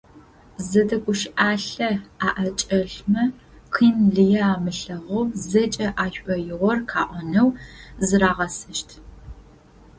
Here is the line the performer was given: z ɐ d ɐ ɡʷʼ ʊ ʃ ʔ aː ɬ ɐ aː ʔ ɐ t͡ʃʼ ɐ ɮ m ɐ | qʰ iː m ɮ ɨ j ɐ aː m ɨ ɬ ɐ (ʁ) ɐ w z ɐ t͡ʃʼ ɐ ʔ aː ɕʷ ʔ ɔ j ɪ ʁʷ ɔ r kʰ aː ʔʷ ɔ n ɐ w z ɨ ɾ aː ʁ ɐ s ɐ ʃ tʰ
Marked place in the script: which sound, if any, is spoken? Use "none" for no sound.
ʁ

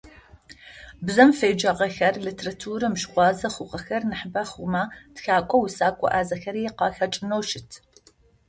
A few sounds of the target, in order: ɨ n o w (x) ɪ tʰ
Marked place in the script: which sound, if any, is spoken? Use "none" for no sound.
ʃ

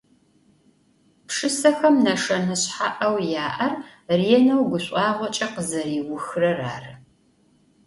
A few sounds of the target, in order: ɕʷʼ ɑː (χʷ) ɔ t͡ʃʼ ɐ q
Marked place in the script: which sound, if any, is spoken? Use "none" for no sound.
ʁʷ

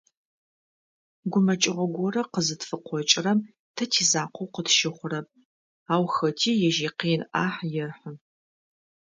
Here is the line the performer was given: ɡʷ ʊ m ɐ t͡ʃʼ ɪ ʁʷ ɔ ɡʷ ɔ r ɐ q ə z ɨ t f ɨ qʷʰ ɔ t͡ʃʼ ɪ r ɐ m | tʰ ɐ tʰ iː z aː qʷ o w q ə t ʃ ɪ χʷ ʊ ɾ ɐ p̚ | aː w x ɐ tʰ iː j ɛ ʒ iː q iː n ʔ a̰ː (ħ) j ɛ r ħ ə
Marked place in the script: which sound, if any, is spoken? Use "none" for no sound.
ħ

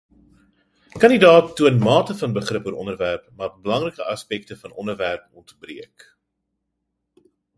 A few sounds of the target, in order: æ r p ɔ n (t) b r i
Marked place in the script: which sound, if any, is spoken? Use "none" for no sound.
t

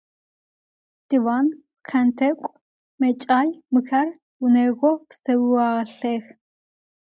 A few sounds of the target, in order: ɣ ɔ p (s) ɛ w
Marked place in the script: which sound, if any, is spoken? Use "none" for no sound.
s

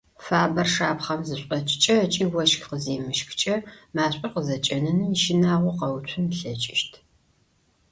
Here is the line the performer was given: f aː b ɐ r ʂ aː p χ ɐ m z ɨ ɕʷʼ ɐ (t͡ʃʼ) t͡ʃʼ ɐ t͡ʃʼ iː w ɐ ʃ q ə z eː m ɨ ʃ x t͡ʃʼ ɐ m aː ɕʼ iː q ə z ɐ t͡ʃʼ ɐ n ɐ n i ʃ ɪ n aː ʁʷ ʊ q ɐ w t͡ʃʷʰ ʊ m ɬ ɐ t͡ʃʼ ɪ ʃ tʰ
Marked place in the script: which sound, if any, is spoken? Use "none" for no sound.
t͡ʃʼ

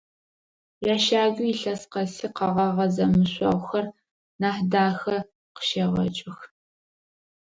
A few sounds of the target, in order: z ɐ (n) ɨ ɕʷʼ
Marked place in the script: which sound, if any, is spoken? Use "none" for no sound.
m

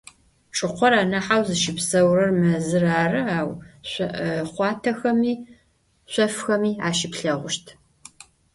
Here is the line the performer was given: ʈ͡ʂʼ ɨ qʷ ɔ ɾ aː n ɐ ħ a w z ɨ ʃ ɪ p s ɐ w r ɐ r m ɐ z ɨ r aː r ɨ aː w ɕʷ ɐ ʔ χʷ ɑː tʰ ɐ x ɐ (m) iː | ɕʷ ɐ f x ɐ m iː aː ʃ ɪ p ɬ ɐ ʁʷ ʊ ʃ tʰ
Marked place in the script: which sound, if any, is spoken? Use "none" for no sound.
m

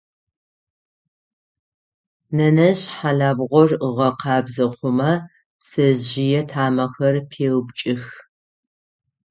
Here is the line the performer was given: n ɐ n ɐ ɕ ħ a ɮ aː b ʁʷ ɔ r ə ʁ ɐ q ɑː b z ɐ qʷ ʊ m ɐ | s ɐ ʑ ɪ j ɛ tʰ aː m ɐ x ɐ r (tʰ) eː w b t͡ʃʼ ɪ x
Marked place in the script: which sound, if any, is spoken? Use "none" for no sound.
pʰ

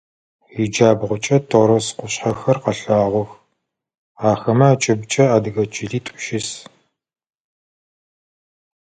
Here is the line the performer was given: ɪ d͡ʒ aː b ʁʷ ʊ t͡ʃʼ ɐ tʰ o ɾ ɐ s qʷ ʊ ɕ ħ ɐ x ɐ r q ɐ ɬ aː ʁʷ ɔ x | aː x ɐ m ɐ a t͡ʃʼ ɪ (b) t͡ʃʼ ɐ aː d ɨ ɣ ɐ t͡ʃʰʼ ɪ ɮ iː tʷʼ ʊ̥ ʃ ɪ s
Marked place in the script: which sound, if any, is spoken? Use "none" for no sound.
b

